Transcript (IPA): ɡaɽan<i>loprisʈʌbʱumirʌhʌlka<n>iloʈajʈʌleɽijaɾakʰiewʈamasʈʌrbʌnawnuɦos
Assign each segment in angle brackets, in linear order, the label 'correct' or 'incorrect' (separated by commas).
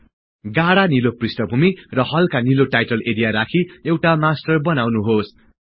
correct, correct